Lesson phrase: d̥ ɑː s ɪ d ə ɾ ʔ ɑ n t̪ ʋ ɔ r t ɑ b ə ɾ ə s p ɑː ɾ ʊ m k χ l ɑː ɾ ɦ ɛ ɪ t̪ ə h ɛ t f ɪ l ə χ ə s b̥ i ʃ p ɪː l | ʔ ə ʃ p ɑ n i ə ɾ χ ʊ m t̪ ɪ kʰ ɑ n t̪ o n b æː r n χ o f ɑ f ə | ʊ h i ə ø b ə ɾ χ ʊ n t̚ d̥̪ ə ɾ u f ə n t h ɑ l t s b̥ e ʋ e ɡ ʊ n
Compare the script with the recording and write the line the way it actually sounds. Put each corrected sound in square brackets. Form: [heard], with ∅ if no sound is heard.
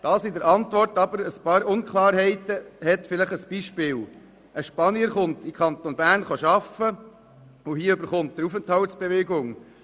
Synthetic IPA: d̥ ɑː s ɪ d ə ɾ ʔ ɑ n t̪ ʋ ɔ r t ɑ b ə ɾ ə s p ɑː ɾ ʊ [n] k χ l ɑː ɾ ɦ ɛ ɪ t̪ ə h ɛ t f ɪ l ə χ ə s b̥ i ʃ p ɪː l | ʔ ə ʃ p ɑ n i ə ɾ χ ʊ [n] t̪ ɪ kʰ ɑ n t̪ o n b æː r n χ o [ʃ] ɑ f ə | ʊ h i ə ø b ə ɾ χ ʊ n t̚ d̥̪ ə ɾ u f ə n t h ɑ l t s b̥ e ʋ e ɡ ʊ [ŋ]

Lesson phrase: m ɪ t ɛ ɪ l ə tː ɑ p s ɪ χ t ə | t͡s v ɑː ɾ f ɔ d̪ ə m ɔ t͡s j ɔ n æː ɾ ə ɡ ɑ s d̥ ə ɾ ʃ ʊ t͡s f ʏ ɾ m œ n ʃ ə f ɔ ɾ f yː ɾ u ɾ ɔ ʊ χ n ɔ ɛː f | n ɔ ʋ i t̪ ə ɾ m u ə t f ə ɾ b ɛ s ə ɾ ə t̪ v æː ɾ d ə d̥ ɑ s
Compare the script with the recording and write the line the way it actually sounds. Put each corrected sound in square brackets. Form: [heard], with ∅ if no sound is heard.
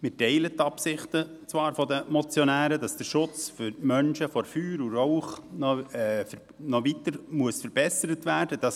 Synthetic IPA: m ɪ t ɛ ɪ l ə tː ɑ p s ɪ χ t ə | t͡s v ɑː ɾ f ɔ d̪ ə m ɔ t͡s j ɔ n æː ɾ ə [d] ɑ s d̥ ə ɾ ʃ ʊ t͡s f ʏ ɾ m œ n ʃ ə f ɔ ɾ f yː ɾ u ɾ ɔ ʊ χ n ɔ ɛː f | n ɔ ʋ i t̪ ə ɾ m u ə [s] f ə ɾ b ɛ s ə ɾ ə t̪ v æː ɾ d ə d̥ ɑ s

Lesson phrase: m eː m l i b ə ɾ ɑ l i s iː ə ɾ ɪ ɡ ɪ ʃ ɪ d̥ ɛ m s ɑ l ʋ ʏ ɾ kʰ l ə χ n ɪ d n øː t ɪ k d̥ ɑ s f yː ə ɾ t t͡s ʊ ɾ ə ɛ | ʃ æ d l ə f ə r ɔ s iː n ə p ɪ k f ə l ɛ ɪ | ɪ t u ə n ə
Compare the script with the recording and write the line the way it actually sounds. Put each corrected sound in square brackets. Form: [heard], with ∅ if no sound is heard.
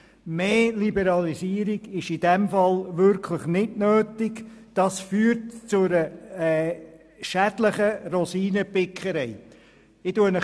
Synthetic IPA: m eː [∅] l i b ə ɾ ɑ l i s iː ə ɾ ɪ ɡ ɪ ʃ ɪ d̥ ɛ m [f] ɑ l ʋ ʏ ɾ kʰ l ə χ n ɪ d n øː t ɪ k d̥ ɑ s f yː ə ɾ t t͡s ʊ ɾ ə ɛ | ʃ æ d l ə [χ] ə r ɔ s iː n ə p ɪ k [χ] ə [ɾ] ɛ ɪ | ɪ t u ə n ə

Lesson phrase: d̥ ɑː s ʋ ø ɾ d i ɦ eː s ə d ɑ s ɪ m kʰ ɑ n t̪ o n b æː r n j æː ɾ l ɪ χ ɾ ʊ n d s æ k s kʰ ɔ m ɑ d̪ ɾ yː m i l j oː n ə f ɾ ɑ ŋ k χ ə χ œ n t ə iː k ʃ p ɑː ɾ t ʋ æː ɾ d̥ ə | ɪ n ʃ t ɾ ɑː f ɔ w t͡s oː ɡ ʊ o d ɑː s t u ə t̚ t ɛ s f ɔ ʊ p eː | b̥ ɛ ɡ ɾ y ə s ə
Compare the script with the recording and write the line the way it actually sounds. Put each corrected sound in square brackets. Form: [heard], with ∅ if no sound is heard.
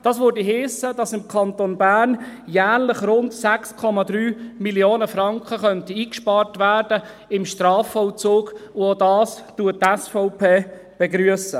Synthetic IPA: d̥ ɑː s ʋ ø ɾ d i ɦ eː s ə d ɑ s ɪ m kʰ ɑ n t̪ o n b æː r n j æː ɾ l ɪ χ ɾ ʊ n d s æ k s kʰ ɔ m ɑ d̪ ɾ yː m i l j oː n ə f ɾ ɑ ŋ k χ ə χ œ n t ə iː k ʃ p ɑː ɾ t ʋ æː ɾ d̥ ə | ɪ [m] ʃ t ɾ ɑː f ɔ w t͡s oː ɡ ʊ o d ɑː s t u ə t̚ t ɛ s f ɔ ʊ p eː | b̥ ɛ ɡ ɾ y ə s ə

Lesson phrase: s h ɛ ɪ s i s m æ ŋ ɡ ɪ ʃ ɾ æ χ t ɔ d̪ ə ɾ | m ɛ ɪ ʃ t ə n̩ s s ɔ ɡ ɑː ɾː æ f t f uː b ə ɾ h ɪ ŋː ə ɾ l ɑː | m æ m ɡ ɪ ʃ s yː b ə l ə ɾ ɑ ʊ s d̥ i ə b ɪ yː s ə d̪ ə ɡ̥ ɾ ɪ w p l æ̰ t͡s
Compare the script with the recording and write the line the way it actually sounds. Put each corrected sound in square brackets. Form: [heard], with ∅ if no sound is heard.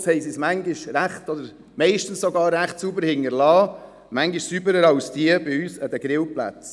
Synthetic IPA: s h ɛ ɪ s i s m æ ŋ ɡ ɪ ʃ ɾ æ χ t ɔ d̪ ə ɾ | m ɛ ɪ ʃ t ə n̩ s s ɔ ɡ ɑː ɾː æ [χ] t [s] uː b ə ɾ h ɪ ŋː ə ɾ l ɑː | m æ [ŋ] ɡ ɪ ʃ s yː b ə [ɾ] ə ɾ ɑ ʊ s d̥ i ə b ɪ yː s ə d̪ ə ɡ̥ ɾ ɪ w p l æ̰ t͡s

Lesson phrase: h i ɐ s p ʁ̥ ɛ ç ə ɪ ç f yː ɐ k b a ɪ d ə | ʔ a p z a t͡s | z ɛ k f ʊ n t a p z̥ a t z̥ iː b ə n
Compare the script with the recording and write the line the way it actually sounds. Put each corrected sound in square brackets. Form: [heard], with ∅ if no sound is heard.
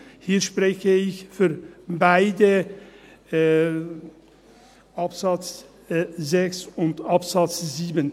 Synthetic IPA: h [iː] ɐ [ʃ] p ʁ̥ ɛ ç ə ɪ ç f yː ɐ [∅] b a ɪ d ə | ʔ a p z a t͡s | z ɛ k [s] ʊ n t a p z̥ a [t͡s] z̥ iː b ə n

